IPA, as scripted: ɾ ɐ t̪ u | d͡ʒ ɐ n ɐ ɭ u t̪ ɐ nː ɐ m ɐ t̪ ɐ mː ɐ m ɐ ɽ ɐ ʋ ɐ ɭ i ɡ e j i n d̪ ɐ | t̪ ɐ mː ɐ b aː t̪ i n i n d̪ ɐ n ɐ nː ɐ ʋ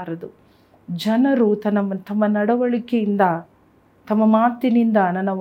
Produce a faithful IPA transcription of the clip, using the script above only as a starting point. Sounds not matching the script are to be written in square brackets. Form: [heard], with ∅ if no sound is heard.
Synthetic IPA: ɾ ɐ [d̪] u | d͡ʒ ɐ n ɐ [ɾ] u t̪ ɐ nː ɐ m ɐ t̪ ɐ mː ɐ [n] ɐ ɽ ɐ ʋ ɐ ɭ i [k] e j i n d̪ ɐ | t̪ ɐ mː ɐ [m] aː t̪ i n i n d̪ ɐ n ɐ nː ɐ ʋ